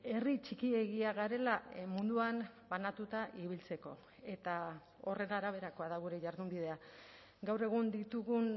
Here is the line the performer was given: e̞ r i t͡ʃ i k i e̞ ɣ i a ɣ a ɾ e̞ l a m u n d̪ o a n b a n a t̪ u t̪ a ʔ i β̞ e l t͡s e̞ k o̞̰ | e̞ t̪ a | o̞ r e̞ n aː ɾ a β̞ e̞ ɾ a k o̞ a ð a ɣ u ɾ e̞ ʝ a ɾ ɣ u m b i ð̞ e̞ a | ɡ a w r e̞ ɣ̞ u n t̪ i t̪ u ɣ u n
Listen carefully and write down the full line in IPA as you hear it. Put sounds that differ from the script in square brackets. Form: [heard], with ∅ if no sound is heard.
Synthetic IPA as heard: e̞ r i t͡ʃ i k i e̞ ɣ i a ɣ a ɾ e̞ l a m u n d̪ [u] a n b a n a t̪ u t̪ a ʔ i β̞ [i] l t͡s e̞ k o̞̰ | e̞ t̪ a | o̞ r e̞ n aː ɾ a β̞ e̞ ɾ a k o̞ a ð a ɣ u ɾ e̞ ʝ a ɾ [ð] u m b i ð̞ e̞ a | ɡ a w r e̞ ɣ̞ u n [d̪] i t̪ u ɣ u n